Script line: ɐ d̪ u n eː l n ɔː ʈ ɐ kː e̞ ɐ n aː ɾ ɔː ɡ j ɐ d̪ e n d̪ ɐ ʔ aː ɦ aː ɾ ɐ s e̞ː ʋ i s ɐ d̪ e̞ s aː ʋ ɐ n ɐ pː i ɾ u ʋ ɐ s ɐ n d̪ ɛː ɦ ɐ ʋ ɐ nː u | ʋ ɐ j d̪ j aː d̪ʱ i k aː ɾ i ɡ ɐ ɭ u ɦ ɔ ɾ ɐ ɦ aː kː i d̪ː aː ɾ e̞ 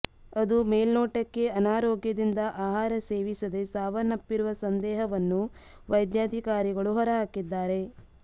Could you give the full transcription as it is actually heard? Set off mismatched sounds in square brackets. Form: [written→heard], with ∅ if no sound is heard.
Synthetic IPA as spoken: ɐ d̪ u [n→m] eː l n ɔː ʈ ɐ kː e̞ ɐ n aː ɾ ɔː ɡ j ɐ d̪ [e→i] n d̪ ɐ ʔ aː ɦ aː ɾ ɐ s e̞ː ʋ i s ɐ d̪ e̞ s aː ʋ ɐ n ɐ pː i ɾ u ʋ ɐ s ɐ n d̪ ɛː ɦ ɐ ʋ ɐ nː u | ʋ ɐ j d̪ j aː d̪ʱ i k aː ɾ i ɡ ɐ ɭ u ɦ ɔ ɾ ɐ ɦ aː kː i d̪ː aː ɾ e̞